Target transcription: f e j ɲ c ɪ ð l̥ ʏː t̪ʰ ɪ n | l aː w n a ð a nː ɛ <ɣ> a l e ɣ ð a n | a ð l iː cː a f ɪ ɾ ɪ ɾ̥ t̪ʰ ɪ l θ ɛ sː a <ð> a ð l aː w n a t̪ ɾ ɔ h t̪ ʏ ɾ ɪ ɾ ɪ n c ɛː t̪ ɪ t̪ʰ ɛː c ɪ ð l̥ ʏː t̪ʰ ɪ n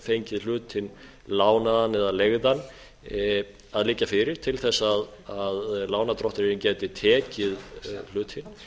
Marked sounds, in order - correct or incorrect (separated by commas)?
incorrect, correct